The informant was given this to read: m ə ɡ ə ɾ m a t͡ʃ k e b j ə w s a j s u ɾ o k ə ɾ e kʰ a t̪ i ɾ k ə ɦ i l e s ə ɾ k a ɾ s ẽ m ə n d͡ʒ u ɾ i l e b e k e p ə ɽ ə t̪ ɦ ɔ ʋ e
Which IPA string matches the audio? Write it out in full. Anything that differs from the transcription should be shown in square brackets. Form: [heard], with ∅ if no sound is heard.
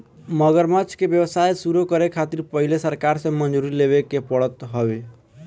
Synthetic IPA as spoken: m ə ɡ ə ɾ m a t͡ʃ k e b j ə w s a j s u ɾ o k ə ɾ e kʰ a t̪ i ɾ [p] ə ɦ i l e s ə ɾ k a ɾ s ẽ m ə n d͡ʒ u ɾ i l e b e k e p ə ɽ ə t̪ ɦ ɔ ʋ e